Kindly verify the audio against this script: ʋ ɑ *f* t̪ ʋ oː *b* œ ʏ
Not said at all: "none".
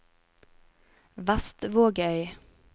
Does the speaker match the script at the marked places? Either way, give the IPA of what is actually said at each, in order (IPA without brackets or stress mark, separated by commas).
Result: s, ɡ